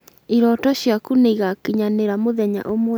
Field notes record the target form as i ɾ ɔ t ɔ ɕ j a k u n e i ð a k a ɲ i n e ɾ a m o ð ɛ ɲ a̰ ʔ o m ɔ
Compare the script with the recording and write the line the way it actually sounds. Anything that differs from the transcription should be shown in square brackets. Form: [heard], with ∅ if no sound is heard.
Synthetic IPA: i ɾ ɔ t ɔ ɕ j a k u n e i [ɣ] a k [i] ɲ [a] n e ɾ a m o ð ɛ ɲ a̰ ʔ o m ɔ